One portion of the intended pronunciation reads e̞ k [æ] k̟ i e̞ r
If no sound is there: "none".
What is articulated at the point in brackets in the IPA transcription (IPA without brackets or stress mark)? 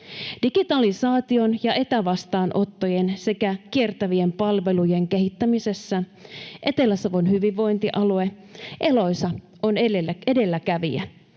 æ